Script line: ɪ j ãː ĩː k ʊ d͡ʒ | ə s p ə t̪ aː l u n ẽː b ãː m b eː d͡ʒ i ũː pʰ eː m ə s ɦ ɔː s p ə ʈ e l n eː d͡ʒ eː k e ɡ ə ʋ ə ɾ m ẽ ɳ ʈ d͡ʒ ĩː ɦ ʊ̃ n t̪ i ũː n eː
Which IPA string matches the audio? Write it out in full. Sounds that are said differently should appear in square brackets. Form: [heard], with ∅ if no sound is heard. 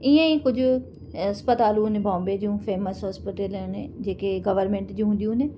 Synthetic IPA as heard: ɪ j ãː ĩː k ʊ d͡ʒ | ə s p ə t̪ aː l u n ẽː b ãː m b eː d͡ʒ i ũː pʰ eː m ə s ɦ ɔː s p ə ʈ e l n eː d͡ʒ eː k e ɡ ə ʋ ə ɾ m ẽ ɳ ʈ d͡ʒ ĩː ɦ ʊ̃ n [d̪] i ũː n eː